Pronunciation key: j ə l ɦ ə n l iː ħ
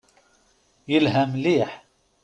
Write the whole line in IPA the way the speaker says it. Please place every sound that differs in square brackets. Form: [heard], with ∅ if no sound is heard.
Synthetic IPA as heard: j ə l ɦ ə [m] l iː ħ